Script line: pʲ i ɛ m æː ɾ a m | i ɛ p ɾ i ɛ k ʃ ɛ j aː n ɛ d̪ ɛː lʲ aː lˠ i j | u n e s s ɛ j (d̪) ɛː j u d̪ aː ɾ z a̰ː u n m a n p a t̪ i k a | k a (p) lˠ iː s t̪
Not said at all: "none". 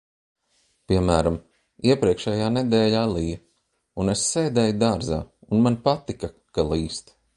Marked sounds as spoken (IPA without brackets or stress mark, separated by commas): d̪, none